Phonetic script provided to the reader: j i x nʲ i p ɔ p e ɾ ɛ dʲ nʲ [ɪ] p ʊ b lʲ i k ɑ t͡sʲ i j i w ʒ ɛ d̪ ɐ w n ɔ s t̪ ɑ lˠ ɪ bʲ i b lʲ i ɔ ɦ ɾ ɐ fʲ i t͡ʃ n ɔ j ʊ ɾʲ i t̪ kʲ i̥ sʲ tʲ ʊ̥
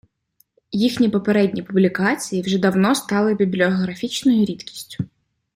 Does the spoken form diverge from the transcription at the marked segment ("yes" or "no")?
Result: yes